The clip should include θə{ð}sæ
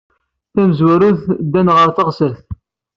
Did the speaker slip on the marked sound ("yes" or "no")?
yes